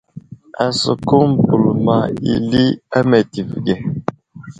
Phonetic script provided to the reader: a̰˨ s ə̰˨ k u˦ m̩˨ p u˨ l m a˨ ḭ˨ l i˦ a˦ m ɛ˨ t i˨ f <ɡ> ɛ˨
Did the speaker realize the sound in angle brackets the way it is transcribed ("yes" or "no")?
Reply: yes